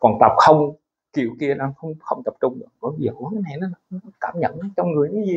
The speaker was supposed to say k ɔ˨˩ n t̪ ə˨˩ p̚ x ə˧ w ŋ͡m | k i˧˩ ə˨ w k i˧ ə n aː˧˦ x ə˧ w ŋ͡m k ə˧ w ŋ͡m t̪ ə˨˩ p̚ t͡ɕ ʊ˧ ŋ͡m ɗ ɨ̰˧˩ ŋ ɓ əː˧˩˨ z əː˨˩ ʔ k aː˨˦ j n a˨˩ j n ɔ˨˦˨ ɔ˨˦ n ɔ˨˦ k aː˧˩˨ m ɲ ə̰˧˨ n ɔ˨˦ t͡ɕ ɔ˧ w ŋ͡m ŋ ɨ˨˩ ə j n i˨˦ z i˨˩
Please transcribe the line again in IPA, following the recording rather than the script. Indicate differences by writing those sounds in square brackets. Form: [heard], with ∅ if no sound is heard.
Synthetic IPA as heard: k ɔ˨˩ n t̪ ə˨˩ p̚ x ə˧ w ŋ͡m | k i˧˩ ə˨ w k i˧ ə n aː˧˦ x ə˧ w ŋ͡m [x] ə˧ w ŋ͡m t̪ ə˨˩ p̚ t͡ɕ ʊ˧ ŋ͡m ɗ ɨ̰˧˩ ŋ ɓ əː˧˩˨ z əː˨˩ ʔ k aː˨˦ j n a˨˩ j n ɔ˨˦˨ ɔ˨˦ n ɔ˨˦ k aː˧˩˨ m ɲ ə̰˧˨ n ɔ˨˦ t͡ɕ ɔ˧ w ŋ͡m ŋ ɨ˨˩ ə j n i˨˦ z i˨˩

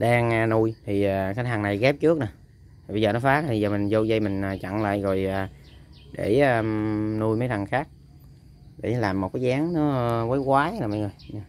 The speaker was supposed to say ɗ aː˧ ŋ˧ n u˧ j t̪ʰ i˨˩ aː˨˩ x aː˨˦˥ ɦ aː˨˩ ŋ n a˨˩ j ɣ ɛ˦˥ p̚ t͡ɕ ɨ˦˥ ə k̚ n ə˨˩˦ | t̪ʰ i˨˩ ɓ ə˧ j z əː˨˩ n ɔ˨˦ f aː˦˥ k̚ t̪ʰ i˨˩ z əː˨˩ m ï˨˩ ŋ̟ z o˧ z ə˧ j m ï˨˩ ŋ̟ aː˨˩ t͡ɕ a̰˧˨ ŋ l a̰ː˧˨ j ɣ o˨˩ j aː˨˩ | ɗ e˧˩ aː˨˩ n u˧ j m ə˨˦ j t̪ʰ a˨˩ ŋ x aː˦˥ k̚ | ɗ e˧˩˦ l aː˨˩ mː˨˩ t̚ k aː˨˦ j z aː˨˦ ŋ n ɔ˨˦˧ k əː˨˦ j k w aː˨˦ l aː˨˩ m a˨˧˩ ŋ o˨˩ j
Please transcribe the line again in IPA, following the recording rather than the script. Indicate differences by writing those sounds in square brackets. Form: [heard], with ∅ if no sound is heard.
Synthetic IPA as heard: ɗ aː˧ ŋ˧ n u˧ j t̪ʰ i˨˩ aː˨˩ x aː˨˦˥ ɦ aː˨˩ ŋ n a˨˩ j ɣ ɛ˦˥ p̚ t͡ɕ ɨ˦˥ ə k̚ n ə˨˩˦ | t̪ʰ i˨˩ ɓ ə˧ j z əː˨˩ n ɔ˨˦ f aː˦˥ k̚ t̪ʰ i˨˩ z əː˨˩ m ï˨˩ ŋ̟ z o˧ z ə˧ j m ï˨˩ ŋ̟ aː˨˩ t͡ɕ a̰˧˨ ŋ l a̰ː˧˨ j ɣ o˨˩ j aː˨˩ | ɗ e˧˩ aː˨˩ n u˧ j m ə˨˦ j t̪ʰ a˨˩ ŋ x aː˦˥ k̚ | ɗ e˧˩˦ l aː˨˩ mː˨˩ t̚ k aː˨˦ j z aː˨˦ ŋ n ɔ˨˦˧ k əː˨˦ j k w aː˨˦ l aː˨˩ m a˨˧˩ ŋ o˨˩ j

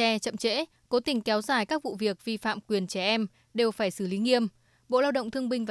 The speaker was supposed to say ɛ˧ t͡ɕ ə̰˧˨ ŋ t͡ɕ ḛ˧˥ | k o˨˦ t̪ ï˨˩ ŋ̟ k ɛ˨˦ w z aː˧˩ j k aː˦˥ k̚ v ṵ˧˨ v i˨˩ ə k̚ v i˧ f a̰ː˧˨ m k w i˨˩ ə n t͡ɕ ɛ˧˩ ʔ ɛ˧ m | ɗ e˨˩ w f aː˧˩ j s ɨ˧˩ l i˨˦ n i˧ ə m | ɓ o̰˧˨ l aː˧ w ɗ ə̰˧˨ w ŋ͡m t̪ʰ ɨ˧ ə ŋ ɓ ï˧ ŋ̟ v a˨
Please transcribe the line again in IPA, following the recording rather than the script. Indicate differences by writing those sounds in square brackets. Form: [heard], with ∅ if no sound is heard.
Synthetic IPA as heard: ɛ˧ t͡ɕ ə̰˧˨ [m] t͡ɕ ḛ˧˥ | k o˨˦ t̪ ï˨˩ ŋ̟ k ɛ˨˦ w z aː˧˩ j k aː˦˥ k̚ v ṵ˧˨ v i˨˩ ə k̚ v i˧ f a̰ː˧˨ m k w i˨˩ ə n t͡ɕ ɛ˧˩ ʔ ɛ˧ m | ɗ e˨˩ w f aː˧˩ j s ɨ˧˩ l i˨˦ [ŋ] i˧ ə m | ɓ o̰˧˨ l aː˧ w ɗ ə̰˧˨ w ŋ͡m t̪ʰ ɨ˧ ə ŋ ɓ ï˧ ŋ̟ v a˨

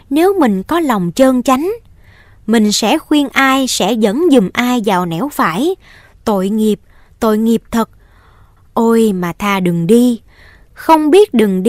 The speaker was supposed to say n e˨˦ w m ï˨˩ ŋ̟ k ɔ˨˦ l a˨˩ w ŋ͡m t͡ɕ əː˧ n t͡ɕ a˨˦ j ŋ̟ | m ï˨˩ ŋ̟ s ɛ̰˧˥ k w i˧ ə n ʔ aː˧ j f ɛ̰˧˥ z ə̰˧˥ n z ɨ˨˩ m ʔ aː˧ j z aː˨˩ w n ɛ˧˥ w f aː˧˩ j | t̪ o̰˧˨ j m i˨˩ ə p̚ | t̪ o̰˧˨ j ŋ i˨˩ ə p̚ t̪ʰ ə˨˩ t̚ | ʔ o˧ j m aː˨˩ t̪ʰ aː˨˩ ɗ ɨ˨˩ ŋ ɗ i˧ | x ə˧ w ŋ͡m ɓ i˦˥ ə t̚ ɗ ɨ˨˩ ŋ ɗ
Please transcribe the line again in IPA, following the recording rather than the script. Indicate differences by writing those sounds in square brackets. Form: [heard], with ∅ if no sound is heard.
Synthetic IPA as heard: n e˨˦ w m ï˨˩ ŋ̟ k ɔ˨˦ l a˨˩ w ŋ͡m t͡ɕ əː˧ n t͡ɕ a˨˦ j ŋ̟ | m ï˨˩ ŋ̟ s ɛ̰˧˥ [x] w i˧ ə n ʔ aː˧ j [s] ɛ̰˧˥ z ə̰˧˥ n z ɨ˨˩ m ʔ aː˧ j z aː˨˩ w n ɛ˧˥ w f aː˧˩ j | t̪ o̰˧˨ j [ŋ] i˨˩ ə p̚ | t̪ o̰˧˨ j ŋ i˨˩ ə p̚ t̪ʰ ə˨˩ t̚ | ʔ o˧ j m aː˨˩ t̪ʰ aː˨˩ ɗ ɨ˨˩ ŋ ɗ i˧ | x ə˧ w ŋ͡m ɓ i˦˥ ə t̚ ɗ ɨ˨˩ ŋ ɗ

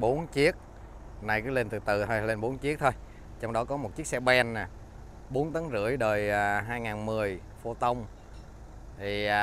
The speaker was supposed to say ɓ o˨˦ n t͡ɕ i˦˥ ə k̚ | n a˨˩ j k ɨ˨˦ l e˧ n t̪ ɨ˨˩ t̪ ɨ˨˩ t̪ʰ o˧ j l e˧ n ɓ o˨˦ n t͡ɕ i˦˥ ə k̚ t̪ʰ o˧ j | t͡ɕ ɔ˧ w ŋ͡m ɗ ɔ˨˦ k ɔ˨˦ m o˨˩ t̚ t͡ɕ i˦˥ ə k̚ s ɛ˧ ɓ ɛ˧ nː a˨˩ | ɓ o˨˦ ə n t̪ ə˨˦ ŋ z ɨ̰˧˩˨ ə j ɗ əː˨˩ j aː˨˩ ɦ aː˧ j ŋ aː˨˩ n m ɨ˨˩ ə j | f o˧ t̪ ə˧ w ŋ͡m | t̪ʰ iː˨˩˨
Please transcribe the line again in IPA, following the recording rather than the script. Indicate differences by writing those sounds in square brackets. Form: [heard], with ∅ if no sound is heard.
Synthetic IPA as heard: ɓ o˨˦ n t͡ɕ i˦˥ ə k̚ | n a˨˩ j k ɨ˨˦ l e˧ n t̪ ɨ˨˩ t̪ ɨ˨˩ t̪ʰ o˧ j l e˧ n ɓ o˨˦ n t͡ɕ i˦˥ ə k̚ t̪ʰ o˧ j | t͡ɕ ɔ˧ w ŋ͡m ɗ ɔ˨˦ k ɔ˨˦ m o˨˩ t̚ t͡ɕ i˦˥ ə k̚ s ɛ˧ ɓ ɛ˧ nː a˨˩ | ɓ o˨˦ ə n t̪ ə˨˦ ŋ z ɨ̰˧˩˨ ə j ɗ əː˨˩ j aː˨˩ ɦ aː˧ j ŋ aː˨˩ n m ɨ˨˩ ə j | f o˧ t̪ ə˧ w ŋ͡m | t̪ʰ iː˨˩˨

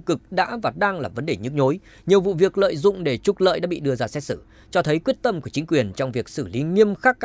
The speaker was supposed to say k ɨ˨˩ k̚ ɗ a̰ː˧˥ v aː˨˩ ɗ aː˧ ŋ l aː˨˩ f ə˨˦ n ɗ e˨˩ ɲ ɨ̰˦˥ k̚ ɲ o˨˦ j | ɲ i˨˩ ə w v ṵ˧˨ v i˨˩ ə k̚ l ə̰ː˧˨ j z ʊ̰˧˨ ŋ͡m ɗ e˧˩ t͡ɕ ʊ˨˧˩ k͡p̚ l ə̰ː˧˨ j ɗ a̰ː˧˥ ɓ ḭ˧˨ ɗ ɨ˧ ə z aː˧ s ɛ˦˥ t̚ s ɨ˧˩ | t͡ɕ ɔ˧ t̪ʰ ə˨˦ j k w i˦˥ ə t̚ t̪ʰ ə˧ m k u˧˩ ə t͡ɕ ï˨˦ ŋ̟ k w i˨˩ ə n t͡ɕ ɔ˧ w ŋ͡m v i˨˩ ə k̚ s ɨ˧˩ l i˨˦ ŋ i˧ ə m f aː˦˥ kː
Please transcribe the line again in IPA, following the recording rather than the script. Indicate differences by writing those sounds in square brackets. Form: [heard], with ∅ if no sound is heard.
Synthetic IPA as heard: k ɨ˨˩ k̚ ɗ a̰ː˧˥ v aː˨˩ ɗ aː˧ ŋ l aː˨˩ [v] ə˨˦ n ɗ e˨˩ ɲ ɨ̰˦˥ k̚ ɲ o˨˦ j | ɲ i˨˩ ə w v ṵ˧˨ v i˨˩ ə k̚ l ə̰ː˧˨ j z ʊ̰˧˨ ŋ͡m ɗ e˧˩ t͡ɕ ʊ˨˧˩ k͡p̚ l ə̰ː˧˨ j ɗ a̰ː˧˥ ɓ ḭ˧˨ ɗ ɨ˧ ə z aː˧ s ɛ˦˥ t̚ s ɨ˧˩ | t͡ɕ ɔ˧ t̪ʰ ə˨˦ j k w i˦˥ ə t̚ [t̪] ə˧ m k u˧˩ ə t͡ɕ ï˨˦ ŋ̟ k w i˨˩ ə n t͡ɕ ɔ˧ w ŋ͡m v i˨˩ ə k̚ s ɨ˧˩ l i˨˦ ŋ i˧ ə m [x] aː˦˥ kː

